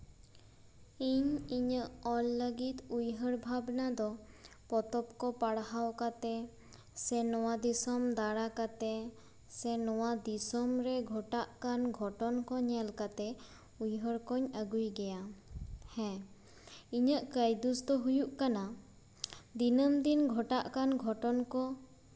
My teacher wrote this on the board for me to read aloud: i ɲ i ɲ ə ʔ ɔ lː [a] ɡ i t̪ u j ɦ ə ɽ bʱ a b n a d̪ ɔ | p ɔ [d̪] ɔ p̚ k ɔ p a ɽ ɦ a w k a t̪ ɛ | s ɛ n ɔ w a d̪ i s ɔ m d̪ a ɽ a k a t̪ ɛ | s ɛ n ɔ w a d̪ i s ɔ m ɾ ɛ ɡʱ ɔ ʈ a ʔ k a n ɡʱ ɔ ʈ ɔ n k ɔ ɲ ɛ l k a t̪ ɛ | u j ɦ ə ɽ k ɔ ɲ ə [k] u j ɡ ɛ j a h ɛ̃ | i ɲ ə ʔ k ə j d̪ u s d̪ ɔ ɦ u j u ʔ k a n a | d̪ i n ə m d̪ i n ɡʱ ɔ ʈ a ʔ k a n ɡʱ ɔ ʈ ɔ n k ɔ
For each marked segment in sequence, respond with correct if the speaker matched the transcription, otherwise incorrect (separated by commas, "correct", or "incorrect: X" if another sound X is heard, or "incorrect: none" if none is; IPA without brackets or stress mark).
incorrect: ə, incorrect: t̪, incorrect: ɡ